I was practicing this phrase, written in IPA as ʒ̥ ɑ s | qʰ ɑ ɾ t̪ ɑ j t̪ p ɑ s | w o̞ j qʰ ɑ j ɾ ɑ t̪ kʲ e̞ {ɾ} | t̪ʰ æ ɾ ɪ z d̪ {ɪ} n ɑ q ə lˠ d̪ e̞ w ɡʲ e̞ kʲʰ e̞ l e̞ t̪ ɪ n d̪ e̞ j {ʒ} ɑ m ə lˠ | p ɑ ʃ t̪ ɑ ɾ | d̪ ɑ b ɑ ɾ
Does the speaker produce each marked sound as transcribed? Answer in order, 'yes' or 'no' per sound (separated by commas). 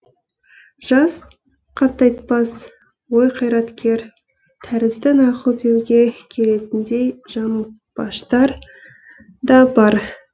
yes, yes, yes